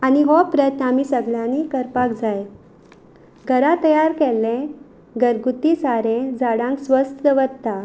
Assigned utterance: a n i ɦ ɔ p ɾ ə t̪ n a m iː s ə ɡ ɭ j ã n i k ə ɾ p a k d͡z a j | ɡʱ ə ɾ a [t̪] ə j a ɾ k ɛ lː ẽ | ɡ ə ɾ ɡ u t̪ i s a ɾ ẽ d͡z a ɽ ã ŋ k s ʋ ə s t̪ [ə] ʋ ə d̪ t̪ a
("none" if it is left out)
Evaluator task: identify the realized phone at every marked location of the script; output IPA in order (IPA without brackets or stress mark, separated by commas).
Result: t̪, ə